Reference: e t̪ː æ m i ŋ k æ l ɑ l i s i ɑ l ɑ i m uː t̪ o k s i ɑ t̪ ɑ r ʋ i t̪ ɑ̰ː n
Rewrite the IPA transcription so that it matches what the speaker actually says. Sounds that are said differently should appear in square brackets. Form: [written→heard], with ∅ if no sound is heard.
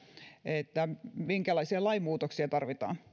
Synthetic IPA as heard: e t̪ː æ m i ŋ k æ l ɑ [l→∅] i s i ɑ l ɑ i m uː t̪ o k s i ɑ t̪ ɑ r ʋ i t̪ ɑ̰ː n